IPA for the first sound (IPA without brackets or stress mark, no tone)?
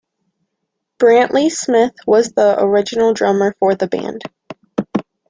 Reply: b̥